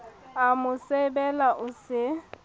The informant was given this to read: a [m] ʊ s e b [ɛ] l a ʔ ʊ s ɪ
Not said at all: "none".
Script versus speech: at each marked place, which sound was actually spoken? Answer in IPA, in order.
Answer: m, ɛ

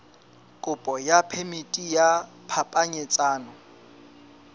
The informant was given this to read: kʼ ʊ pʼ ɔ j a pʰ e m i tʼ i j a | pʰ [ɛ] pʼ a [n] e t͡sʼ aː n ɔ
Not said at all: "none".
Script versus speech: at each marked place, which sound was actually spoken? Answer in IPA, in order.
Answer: a, ɲ

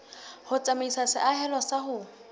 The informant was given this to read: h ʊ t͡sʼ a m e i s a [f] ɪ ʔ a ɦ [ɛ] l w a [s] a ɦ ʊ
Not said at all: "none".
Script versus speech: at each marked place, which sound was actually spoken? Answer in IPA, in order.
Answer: s, ɛ, s

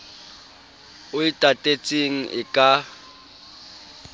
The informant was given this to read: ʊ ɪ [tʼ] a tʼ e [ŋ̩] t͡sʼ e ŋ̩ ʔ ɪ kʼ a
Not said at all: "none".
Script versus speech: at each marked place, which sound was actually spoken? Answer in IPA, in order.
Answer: tʼ, none

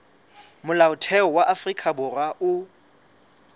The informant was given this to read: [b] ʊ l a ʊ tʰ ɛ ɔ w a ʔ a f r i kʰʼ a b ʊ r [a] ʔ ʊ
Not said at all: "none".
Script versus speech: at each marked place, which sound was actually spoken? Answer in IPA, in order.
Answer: m, a

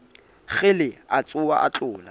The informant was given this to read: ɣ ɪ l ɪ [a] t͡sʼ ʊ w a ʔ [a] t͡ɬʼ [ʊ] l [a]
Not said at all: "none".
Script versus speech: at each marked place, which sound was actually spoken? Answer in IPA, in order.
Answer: a, a, ʊː, a

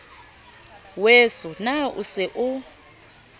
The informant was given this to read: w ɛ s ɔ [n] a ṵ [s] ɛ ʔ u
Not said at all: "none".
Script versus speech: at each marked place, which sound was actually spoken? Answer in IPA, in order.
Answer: n, s

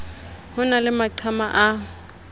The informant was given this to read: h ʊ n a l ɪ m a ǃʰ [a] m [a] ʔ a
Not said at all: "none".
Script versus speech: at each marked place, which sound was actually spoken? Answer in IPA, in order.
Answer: a, a

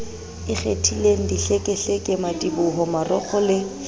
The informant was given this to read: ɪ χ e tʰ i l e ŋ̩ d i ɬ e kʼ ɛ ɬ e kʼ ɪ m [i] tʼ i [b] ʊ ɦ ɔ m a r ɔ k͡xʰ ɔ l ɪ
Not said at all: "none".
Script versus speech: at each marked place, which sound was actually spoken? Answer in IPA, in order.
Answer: a, b

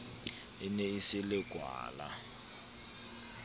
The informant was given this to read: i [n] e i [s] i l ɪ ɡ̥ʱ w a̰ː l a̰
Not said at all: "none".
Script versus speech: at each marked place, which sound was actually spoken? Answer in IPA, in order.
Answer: n, s

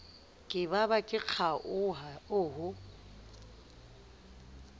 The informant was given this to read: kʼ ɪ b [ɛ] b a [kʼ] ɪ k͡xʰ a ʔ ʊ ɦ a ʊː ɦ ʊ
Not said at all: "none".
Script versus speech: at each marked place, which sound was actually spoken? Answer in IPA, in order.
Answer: a, kʼ

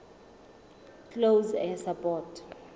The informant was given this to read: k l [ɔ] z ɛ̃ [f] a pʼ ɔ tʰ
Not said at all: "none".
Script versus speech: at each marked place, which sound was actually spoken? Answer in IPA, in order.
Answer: o, s

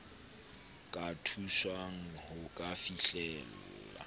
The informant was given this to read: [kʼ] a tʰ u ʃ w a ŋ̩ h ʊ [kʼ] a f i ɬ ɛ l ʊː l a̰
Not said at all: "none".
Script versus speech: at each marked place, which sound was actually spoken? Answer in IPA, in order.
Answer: kʼ, kʼ

